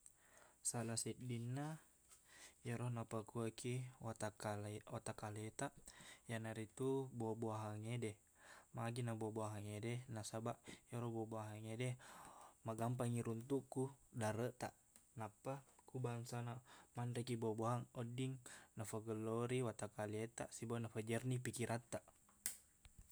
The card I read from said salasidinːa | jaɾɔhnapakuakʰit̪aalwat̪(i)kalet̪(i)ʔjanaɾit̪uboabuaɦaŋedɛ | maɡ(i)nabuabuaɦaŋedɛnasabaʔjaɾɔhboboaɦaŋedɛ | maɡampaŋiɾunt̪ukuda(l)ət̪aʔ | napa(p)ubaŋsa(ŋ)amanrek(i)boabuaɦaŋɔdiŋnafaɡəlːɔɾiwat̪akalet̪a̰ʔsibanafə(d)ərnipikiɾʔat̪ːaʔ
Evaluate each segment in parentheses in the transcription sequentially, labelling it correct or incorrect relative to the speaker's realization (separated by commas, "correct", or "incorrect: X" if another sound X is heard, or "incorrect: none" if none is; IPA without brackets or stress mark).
incorrect: a, incorrect: a, correct, incorrect: ɾ, incorrect: k, incorrect: n, correct, incorrect: d͡ʒ